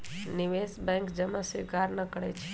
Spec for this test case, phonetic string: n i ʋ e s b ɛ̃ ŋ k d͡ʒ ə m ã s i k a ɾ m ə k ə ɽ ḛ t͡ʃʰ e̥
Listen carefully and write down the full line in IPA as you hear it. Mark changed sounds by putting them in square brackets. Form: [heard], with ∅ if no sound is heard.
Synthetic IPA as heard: n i ʋ e s b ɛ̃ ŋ k d͡ʒ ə m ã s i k a ɾ [n] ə k ə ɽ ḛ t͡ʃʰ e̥